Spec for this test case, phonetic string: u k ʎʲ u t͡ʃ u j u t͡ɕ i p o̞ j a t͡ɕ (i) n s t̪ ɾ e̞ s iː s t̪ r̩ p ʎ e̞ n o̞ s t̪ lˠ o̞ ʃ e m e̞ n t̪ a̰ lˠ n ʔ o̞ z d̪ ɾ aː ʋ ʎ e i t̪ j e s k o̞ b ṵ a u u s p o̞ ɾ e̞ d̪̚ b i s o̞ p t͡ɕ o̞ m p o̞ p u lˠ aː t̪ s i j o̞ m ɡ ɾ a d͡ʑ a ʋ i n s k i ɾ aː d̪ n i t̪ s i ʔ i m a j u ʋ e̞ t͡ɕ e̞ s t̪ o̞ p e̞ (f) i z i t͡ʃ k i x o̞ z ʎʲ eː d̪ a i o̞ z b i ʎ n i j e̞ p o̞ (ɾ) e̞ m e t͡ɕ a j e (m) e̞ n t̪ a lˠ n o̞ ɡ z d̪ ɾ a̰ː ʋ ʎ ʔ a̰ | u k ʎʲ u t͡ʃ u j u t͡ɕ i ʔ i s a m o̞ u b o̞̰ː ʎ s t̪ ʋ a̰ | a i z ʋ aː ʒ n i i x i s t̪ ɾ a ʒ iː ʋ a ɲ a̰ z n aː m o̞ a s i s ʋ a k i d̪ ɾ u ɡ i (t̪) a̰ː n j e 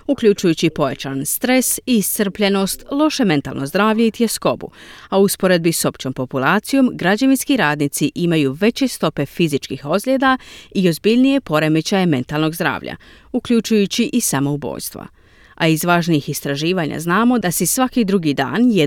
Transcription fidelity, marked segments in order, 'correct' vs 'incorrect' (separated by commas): incorrect, correct, correct, correct, incorrect